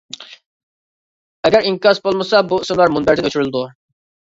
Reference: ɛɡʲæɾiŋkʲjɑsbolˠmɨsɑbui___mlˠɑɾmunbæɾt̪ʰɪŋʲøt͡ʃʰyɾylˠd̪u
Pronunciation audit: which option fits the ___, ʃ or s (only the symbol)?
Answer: s